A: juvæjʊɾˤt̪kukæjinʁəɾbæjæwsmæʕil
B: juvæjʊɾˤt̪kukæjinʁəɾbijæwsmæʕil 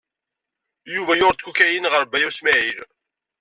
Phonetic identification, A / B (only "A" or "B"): A